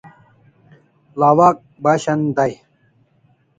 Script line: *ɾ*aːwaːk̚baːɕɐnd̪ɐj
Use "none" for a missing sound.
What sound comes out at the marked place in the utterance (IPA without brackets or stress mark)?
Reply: l